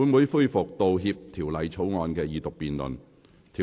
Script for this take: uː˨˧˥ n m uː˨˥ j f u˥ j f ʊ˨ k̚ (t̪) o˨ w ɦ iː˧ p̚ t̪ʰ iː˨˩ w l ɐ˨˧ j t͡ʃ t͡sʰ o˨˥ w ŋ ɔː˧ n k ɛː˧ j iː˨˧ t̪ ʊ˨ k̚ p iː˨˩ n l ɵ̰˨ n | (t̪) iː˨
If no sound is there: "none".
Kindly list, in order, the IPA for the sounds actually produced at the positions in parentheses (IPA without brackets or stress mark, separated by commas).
t̪, t̪ʰ